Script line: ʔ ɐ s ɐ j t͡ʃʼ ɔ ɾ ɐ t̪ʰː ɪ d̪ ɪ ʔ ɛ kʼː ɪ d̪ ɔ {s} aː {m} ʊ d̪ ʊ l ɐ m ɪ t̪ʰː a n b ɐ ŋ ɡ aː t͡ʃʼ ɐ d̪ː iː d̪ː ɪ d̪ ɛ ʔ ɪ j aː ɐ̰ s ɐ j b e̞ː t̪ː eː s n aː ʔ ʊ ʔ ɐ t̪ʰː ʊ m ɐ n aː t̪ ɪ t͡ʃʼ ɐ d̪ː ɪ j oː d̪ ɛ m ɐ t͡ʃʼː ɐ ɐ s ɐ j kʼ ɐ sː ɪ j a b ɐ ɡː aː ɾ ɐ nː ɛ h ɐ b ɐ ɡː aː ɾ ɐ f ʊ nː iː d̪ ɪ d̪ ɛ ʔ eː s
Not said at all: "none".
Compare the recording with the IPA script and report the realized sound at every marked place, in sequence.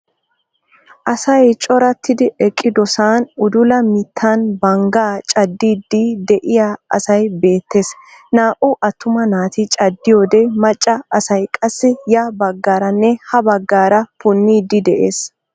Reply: s, n

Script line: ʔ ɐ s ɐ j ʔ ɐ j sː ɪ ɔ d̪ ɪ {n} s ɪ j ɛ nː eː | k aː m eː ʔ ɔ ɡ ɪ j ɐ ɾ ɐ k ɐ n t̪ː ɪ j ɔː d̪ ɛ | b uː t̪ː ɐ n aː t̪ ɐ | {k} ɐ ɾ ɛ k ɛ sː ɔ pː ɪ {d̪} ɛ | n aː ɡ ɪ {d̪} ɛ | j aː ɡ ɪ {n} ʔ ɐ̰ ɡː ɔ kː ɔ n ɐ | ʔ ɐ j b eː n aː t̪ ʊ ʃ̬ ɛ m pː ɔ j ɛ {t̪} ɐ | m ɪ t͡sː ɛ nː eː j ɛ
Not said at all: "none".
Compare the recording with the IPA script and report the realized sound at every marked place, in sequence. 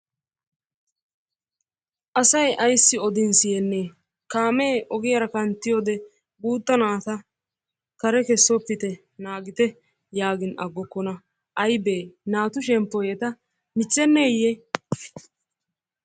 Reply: n, k, t̪, t̪, n, t̪

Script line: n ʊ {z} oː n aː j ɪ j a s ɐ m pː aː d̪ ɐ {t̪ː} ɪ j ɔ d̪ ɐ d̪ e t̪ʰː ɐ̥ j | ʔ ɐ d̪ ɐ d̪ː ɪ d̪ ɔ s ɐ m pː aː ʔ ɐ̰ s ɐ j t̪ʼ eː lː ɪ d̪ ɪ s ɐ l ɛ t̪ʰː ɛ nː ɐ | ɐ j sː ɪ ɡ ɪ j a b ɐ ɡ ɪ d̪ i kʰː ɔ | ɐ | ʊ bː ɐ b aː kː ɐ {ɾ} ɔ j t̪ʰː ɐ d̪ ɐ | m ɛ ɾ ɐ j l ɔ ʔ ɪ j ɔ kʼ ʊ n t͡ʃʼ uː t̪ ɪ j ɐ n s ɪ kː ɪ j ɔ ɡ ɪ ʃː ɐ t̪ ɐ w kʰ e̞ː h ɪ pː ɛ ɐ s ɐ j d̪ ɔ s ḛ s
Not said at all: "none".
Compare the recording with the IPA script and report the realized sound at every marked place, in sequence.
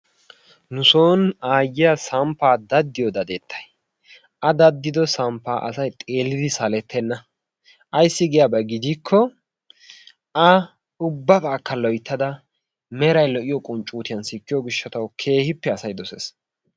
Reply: s, d̪ː, l

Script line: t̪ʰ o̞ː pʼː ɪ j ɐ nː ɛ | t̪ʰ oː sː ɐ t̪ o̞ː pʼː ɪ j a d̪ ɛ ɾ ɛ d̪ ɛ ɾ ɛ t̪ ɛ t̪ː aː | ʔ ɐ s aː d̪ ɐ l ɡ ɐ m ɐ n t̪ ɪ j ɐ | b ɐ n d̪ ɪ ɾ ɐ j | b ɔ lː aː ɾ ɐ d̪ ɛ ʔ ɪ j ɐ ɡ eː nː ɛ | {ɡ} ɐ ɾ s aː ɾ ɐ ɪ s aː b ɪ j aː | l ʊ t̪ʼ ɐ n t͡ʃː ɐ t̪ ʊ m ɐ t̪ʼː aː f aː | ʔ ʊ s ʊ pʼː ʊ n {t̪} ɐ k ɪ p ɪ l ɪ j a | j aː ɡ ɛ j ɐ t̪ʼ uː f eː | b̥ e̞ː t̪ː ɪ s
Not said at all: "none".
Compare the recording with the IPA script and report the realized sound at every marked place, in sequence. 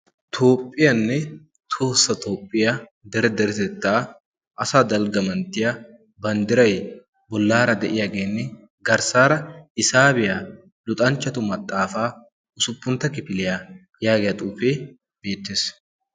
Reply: ɡ, t̪

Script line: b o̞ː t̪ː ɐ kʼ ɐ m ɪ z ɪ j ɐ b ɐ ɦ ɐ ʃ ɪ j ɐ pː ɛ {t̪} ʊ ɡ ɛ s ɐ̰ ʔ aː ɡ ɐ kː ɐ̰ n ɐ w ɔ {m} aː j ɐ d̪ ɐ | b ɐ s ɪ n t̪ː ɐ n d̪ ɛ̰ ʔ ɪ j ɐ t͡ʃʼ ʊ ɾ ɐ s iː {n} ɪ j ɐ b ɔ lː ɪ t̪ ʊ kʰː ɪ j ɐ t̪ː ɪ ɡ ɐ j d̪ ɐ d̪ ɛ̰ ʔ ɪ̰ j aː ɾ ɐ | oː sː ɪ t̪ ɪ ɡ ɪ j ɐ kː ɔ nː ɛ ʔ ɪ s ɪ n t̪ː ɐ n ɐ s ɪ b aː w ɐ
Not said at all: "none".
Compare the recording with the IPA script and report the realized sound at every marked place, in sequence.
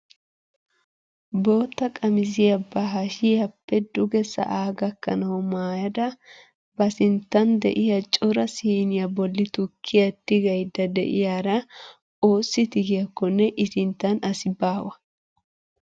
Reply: d̪, m, n

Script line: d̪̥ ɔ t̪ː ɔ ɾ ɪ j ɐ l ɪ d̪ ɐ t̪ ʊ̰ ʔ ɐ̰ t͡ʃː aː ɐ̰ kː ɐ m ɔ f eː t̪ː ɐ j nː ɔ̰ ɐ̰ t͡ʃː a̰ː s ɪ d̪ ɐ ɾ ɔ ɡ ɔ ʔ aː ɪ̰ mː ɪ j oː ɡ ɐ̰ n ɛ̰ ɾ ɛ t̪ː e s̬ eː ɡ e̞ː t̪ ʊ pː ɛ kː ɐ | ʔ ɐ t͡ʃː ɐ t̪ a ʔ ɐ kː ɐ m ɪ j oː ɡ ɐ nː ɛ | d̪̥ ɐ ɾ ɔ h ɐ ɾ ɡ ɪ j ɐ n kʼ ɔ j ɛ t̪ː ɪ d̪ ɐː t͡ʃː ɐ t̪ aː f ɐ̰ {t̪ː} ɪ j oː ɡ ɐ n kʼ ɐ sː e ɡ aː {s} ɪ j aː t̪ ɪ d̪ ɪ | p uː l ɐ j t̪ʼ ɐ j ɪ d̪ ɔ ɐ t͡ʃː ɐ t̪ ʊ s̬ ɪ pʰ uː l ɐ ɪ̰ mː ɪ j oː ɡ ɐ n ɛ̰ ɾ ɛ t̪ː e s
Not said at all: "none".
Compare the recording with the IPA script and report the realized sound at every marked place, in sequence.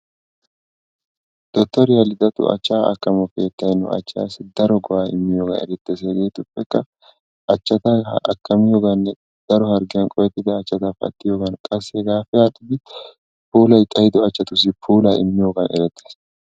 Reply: t̪ː, f

